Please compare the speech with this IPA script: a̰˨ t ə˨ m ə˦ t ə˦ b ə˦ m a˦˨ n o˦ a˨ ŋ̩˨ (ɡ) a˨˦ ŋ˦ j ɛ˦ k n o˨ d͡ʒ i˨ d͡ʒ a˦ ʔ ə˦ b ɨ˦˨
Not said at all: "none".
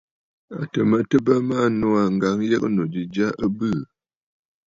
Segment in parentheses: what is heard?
ɡ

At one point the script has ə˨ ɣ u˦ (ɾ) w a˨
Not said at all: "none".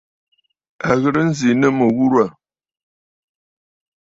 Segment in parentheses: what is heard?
ɾ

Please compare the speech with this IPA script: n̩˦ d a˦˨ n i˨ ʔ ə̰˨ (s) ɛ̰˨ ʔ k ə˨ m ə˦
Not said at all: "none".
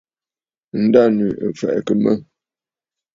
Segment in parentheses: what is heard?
f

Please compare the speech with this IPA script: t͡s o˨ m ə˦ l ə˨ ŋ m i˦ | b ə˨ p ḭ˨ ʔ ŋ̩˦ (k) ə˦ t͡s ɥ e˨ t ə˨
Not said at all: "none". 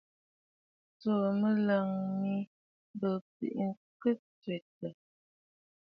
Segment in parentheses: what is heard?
k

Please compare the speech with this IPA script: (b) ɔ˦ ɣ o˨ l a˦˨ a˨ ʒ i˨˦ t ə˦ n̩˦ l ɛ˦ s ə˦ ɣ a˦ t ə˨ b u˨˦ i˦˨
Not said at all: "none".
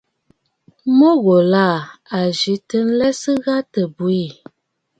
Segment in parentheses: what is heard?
m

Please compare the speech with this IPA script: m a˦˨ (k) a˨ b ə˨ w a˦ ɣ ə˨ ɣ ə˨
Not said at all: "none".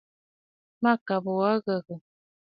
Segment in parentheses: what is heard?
k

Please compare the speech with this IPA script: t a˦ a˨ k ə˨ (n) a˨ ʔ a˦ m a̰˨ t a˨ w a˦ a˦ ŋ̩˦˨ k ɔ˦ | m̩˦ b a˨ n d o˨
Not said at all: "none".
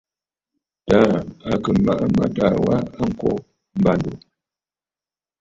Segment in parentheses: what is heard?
m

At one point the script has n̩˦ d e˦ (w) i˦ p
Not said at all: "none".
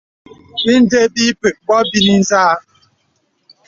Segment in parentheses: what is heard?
b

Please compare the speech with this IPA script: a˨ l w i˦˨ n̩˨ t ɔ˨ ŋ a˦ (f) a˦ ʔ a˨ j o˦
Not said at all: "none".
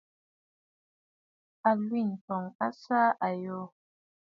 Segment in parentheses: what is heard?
s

